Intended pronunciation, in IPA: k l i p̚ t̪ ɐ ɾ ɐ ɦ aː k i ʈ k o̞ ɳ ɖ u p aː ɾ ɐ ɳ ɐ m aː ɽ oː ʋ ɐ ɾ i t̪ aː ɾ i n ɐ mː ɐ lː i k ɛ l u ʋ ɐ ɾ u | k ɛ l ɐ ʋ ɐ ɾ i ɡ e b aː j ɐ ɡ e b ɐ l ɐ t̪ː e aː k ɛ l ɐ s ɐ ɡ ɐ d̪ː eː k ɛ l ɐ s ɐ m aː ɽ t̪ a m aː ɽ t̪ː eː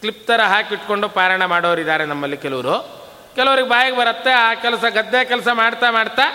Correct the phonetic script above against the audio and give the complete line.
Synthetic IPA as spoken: k l i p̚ t̪ ɐ ɾ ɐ ɦ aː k i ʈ k o̞ ɳ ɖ u p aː ɾ ɐ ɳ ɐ m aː ɽ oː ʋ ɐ ɾ i d̪ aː ɾ e n ɐ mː ɐ lː i k ɛ l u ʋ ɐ ɾ u | k ɛ l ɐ ʋ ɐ ɾ i ɡ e b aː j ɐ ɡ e b ɐ ɾ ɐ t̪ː e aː k ɛ l ɐ s ɐ ɡ ɐ d̪ː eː k ɛ l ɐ s ɐ m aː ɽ t̪ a m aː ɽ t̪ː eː